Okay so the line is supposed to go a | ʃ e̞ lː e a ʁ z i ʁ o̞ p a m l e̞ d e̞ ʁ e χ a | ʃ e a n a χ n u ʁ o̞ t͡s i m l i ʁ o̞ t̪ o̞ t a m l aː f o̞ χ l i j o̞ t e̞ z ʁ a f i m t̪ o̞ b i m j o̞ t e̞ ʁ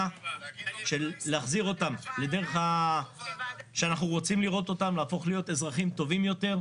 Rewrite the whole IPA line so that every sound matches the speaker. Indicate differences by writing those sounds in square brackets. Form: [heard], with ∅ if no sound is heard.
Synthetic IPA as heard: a | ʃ e̞ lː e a [χ] z i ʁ o̞ [t] a m l e̞ d e̞ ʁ e χ a | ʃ e a n a χ n u ʁ o̞ t͡s i m l i ʁ o̞ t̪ o̞ t a m l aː f o̞ χ l i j o̞ t e̞ z ʁ a [χ] i m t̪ o̞ [v] i m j o̞ t e̞ ʁ